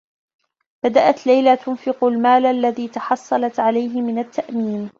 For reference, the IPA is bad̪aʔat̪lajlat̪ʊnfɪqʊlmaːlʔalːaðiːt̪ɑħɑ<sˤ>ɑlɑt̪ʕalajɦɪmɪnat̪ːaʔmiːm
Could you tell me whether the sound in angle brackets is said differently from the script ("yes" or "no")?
yes